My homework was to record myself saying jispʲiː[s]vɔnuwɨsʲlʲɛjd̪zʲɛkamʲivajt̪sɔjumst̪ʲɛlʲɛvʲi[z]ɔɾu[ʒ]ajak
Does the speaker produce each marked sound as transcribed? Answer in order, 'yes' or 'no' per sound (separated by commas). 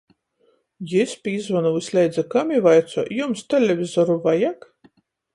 no, yes, no